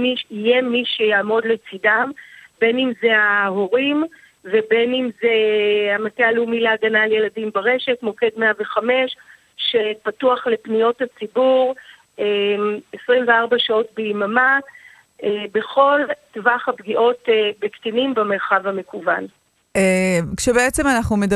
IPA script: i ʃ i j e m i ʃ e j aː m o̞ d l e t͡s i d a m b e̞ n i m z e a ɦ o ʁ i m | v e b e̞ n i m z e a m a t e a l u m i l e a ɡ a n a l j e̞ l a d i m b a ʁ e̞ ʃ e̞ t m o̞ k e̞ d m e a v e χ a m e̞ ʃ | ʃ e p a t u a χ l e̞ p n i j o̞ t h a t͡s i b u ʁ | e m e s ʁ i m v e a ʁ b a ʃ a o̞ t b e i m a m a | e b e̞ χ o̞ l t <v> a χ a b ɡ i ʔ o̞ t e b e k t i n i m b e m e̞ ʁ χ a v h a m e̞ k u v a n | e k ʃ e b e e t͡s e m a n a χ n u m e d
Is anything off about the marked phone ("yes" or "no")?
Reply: no